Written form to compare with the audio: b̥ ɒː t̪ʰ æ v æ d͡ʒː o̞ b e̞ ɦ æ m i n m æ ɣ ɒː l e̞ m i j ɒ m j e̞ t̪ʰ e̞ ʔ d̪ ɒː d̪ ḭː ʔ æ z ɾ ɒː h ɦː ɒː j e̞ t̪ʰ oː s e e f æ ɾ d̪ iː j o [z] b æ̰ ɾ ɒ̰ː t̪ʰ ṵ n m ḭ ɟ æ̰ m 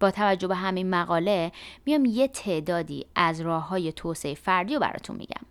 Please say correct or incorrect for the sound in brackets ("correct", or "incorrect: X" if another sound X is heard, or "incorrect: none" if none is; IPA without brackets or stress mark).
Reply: incorrect: none